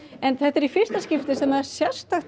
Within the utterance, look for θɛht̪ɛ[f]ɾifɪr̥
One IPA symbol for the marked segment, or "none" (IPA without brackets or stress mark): none